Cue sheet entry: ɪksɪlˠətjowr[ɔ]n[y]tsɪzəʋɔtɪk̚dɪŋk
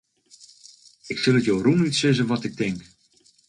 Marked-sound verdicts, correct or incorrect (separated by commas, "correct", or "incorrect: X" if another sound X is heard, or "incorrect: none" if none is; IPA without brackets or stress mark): incorrect: u, incorrect: i